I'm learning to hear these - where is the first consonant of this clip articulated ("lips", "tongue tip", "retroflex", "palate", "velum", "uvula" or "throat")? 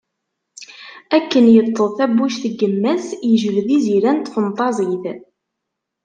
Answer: velum